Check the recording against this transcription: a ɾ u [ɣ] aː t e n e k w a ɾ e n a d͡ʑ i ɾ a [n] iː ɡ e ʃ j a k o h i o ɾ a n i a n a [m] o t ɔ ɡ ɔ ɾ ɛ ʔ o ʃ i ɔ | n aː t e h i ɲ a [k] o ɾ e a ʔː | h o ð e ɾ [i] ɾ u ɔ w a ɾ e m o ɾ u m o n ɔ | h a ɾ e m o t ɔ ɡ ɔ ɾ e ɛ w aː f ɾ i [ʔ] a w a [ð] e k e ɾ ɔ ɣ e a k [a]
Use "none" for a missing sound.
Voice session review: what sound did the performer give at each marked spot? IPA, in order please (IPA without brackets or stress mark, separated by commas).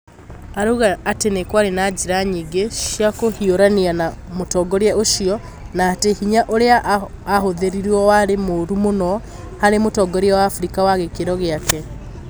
ɣ, ɲ, m, ʔ, i, k, ɣ, ɛ